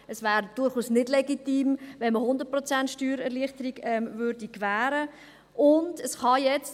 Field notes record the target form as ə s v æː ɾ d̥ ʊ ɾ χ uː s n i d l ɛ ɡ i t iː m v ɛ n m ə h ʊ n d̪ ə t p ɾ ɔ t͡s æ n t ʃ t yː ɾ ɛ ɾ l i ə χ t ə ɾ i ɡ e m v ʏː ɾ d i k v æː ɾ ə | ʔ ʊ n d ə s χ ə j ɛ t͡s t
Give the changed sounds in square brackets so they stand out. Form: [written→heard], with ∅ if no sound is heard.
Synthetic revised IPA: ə s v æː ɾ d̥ ʊ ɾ χ uː s n [i→ɪ] d l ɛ ɡ i t iː m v ɛ n m ə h ʊ n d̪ ə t p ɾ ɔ t͡s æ n t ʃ t yː ɾ ɛ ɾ l i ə χ t ə ɾ i ɡ [e→ɛ] m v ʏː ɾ d i k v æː ɾ ə | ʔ ʊ n d ə s χ [ə→ɑ] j ɛ t͡s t

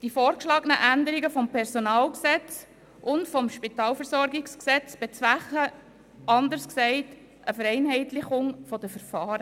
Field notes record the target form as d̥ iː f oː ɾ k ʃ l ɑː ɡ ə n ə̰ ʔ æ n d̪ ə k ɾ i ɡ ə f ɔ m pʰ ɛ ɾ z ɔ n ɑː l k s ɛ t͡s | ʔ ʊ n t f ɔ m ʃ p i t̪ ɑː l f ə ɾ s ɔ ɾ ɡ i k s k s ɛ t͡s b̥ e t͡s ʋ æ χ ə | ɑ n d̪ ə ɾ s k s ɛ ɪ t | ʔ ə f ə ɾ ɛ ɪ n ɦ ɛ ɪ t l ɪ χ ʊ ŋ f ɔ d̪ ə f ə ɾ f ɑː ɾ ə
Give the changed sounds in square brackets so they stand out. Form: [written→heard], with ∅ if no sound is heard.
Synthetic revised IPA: d̥ [iː→i] f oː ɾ k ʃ l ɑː ɡ ə n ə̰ ʔ æ n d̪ ə [k→∅] ɾ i ɡ ə f ɔ m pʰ ɛ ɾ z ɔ n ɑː l k s ɛ t͡s | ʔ ʊ n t f ɔ m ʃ p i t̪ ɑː l f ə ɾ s ɔ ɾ ɡ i k s k s ɛ t͡s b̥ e t͡s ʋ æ χ ə | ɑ n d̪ ə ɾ s k s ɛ ɪ t | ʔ ə f ə ɾ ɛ ɪ n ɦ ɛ ɪ t l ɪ χ ʊ ŋ f ɔ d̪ ə f ə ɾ f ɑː ɾ ə

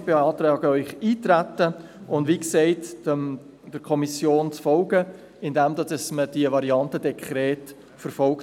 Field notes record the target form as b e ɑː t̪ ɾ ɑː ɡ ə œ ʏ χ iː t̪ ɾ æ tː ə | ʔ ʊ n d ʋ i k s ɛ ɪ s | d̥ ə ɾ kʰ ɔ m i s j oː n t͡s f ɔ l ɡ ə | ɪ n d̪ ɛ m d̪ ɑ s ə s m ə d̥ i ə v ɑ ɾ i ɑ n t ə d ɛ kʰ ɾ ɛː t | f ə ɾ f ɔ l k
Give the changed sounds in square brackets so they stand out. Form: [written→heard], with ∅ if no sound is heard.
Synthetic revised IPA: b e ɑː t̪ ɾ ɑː ɡ ə œ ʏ χ iː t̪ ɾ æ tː ə | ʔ ʊ n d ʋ i k s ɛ ɪ [s→t] | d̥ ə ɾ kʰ ɔ m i s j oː n t͡s f ɔ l ɡ ə | ɪ n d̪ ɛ m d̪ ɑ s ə s m ə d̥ i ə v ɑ ɾ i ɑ n t ə d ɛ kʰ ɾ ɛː t | f ə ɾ f ɔ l k

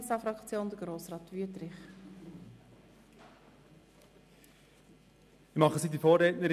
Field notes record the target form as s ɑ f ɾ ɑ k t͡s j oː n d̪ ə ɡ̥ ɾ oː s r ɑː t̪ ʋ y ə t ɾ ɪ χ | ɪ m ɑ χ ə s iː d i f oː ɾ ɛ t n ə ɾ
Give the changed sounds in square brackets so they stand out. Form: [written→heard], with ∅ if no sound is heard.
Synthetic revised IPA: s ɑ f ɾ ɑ k t͡s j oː n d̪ ə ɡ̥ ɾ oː s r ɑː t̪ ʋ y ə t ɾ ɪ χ | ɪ m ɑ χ ə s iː d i f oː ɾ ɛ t n ə ɾ

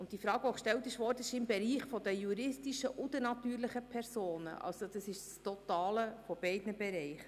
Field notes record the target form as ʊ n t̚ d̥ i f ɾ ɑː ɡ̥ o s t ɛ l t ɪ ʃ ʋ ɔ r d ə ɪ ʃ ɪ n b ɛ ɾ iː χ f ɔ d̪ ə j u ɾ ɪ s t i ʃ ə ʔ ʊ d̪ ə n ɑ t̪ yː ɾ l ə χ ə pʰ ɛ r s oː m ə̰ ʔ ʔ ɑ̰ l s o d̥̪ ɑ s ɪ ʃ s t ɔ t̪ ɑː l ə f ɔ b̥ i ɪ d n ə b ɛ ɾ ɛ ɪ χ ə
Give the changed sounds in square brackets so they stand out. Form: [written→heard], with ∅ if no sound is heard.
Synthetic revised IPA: ʊ n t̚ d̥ i f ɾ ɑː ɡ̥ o [s→ʃ] t ɛ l t ɪ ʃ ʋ ɔ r d ə ɪ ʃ ɪ [n→m] b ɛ ɾ iː χ f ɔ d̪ ə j u ɾ ɪ s t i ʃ ə ʔ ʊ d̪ ə n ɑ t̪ yː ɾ l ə χ ə pʰ ɛ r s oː [m→n] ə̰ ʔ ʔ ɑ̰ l s o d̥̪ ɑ s ɪ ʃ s t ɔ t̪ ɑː l ə f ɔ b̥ [i→ɛ] ɪ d n ə b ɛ ɾ ɛ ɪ χ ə

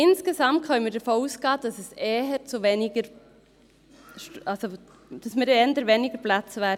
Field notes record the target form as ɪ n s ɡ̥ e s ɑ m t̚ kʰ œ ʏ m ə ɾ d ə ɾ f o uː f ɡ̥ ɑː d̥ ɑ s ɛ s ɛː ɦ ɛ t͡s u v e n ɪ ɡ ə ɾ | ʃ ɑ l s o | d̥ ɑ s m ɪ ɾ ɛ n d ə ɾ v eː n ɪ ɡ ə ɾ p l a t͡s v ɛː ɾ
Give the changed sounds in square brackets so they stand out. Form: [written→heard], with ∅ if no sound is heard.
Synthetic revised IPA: ɪ n s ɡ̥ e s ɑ m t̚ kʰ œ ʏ m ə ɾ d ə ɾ f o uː [f→s] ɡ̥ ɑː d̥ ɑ s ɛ s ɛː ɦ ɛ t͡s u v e n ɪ ɡ ə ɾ | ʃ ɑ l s o | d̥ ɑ s m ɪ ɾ ɛ n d ə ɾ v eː n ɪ ɡ ə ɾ p l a t͡s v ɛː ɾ

